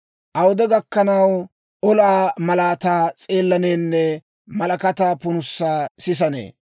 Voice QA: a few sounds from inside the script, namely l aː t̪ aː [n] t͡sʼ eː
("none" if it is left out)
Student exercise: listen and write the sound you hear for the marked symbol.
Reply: none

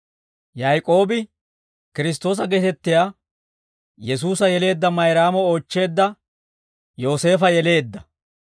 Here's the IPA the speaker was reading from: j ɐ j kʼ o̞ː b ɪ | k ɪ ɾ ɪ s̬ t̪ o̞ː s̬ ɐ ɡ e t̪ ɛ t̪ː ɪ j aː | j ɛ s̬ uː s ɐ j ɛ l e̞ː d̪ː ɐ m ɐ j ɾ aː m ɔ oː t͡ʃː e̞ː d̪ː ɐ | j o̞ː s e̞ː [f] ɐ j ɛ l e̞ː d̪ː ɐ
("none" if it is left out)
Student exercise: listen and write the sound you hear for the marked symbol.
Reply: f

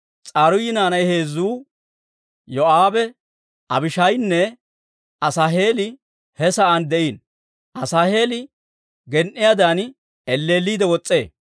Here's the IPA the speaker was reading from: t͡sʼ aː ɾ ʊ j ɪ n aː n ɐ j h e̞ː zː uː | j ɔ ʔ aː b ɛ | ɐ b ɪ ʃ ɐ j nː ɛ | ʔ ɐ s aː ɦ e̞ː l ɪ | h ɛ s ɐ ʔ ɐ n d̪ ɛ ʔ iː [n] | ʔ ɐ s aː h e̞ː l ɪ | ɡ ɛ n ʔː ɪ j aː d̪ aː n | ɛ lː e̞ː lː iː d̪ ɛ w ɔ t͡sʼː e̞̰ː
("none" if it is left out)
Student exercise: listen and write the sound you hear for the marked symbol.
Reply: n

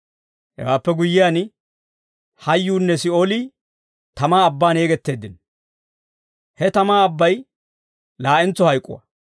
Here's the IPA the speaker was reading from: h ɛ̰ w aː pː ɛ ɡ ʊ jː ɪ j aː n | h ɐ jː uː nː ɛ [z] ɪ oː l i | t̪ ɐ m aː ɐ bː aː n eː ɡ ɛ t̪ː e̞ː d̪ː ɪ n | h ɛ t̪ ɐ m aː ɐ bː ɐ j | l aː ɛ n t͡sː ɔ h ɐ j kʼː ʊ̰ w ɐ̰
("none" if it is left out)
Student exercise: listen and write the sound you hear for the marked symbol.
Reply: s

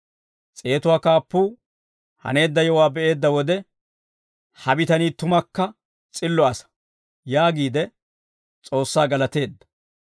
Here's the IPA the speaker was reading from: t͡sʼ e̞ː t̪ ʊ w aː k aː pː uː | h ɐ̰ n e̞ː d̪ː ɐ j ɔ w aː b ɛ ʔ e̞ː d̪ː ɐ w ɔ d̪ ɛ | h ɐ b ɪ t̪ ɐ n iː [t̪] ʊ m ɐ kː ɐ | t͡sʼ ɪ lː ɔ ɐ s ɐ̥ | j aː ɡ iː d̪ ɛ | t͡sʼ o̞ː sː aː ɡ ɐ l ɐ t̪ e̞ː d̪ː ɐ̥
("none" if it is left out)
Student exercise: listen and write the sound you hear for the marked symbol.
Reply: t̪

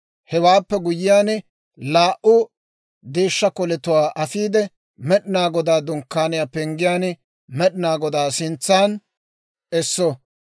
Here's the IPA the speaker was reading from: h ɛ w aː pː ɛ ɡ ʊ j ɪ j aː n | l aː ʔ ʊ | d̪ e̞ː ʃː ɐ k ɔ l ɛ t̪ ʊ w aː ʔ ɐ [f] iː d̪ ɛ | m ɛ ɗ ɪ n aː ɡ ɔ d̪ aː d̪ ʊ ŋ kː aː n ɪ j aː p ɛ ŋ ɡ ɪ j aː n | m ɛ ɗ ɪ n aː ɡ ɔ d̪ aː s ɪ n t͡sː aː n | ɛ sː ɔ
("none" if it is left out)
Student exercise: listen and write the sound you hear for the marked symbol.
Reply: f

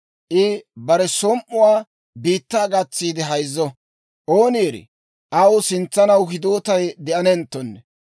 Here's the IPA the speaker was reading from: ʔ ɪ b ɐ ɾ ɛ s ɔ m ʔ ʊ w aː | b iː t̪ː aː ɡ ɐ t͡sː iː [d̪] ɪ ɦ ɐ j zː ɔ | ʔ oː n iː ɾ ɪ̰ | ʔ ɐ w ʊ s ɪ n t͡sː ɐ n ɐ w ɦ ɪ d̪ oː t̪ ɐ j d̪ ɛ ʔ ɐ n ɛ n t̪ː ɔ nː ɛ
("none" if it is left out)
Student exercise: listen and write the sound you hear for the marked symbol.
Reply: d̪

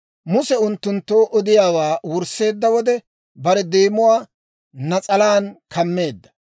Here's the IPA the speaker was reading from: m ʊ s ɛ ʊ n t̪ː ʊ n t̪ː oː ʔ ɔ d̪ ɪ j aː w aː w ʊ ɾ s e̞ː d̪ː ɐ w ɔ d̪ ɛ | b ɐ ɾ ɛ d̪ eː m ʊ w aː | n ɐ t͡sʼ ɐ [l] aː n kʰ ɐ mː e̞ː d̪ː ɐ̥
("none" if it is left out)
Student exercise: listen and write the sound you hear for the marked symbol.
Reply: l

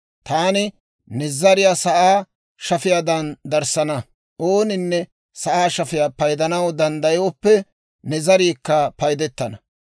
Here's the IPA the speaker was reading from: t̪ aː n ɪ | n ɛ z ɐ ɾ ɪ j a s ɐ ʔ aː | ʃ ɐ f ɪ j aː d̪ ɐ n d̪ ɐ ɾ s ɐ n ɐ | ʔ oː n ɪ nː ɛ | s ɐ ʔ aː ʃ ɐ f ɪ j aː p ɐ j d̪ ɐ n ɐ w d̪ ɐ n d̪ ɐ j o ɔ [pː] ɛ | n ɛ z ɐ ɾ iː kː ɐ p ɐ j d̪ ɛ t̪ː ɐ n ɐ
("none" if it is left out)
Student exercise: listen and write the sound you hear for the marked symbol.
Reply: pː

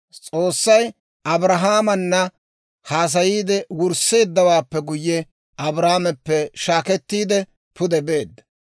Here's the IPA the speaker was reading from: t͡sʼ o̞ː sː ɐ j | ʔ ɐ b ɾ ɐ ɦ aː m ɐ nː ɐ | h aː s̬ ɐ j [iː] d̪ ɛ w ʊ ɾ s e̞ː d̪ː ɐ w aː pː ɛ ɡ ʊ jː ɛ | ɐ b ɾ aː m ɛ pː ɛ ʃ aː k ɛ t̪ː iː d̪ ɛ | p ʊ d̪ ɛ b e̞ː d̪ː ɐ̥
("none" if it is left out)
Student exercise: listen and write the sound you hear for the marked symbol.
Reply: iː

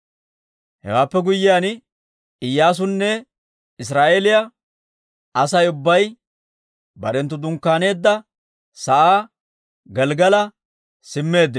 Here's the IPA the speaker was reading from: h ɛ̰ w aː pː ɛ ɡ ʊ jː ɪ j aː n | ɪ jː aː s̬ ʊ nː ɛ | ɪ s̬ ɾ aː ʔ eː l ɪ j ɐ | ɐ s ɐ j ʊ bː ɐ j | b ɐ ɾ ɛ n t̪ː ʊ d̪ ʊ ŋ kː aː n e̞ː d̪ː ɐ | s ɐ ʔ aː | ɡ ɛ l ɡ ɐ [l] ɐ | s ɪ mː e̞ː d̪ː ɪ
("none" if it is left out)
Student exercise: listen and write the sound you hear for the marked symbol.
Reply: l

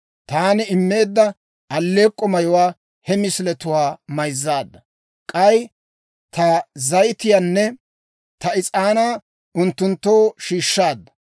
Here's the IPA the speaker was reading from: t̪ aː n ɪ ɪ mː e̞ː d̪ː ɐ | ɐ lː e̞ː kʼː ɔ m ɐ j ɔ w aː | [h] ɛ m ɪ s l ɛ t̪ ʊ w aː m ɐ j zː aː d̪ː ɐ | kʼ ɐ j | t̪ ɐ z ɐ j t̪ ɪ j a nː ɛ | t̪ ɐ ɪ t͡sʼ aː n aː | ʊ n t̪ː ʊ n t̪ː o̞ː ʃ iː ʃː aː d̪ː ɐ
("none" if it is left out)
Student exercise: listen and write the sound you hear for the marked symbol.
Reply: h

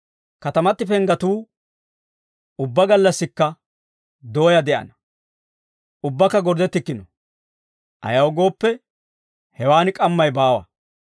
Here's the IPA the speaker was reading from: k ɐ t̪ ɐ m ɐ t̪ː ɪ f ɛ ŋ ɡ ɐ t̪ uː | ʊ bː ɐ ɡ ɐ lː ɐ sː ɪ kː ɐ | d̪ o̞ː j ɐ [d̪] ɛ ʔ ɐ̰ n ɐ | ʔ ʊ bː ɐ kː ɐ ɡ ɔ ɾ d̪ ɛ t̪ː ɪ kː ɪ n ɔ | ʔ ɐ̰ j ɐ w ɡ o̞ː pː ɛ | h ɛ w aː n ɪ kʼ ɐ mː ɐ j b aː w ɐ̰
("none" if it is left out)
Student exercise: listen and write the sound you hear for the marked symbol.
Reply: d̪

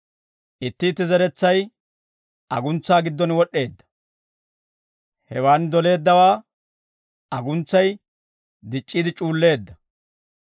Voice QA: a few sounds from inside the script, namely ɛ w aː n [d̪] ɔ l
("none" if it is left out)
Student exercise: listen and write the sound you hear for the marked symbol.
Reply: d̪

